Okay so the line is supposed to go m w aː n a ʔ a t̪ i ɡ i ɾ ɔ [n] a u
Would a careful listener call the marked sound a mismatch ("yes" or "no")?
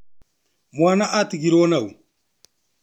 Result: no